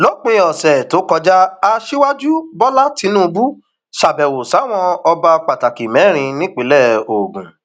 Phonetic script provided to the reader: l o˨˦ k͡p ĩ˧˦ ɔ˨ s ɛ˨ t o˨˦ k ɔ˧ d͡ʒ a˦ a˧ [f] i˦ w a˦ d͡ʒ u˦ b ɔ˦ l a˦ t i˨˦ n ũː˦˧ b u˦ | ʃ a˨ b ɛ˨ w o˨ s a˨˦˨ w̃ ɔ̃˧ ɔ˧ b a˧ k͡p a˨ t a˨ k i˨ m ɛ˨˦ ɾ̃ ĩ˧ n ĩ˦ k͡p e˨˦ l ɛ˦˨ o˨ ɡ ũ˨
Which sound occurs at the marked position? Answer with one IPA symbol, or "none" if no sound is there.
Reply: ʃ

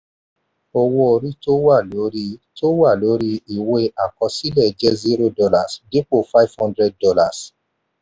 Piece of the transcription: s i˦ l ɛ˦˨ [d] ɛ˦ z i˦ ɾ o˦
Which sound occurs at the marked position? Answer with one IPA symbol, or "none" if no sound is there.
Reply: d͡ʒ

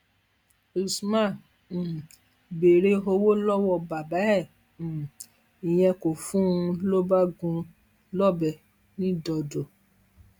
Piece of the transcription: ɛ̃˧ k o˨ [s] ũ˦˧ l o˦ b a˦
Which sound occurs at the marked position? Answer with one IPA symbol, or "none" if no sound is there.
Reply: f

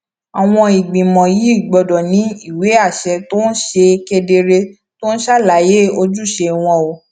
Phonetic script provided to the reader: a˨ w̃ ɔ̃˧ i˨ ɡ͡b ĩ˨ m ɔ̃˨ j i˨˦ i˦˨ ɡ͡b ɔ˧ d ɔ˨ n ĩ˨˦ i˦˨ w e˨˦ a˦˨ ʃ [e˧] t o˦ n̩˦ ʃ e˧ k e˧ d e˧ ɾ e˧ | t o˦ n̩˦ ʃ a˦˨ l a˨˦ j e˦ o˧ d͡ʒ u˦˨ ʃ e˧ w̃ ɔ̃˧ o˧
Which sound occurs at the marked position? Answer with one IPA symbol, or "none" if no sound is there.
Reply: ɛ˧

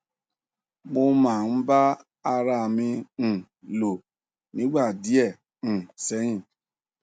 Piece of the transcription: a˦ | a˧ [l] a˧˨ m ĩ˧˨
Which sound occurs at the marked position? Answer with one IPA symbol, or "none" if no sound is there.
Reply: ɾ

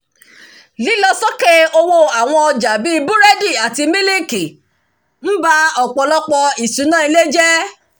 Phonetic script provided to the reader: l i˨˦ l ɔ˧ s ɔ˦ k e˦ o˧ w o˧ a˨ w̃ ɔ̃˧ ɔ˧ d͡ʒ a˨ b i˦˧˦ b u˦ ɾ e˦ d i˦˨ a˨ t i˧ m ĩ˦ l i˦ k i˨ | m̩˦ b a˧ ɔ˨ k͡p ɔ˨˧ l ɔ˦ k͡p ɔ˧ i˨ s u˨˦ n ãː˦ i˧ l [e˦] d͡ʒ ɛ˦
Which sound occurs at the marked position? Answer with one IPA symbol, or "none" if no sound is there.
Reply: e˦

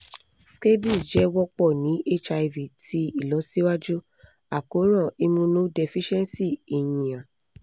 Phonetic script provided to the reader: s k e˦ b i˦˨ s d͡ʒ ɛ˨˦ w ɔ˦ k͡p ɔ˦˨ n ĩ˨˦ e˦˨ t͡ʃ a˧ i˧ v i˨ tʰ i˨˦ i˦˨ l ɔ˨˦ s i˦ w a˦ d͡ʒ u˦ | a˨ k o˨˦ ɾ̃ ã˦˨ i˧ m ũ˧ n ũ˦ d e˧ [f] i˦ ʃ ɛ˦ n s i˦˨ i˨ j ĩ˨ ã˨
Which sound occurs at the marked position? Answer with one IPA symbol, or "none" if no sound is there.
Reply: f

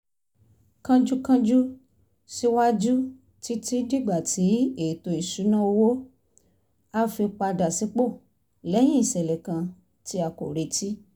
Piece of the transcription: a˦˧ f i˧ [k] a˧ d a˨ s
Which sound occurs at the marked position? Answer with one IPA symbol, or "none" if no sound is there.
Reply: k͡p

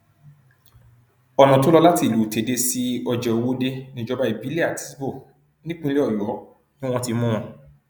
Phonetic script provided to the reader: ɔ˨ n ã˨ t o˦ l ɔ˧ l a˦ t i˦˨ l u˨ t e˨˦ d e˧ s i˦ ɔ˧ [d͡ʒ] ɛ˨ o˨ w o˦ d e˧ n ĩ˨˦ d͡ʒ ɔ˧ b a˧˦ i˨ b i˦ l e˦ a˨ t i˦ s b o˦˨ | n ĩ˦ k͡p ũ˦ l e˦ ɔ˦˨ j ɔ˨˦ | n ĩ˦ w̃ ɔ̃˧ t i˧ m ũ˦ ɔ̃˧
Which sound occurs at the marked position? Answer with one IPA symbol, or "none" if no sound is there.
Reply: d͡ʒ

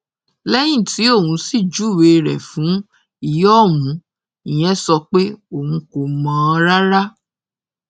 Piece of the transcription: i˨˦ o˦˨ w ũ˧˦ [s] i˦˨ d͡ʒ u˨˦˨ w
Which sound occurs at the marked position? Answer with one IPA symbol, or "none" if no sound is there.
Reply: s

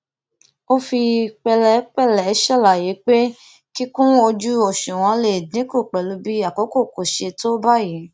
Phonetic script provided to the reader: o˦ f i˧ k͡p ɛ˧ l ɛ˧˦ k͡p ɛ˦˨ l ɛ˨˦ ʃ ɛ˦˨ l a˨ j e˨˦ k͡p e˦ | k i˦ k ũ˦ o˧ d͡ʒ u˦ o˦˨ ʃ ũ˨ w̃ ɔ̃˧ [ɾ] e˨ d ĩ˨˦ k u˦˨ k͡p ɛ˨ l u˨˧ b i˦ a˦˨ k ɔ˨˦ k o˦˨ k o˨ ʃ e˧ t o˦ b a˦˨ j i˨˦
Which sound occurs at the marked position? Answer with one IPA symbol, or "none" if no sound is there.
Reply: l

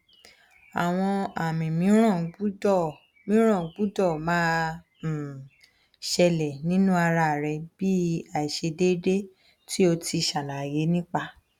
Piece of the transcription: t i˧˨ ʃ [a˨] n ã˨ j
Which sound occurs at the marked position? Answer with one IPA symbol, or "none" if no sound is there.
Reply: a˨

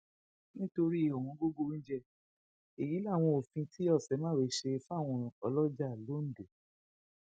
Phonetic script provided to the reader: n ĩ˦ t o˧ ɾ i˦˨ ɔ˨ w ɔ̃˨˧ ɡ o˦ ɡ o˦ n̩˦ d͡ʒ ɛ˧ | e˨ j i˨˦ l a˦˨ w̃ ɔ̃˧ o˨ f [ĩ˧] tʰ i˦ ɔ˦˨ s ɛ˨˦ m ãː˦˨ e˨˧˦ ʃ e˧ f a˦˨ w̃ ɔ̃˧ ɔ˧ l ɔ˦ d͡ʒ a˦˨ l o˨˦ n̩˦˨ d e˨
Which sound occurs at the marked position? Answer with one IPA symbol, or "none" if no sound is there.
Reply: ĩ˧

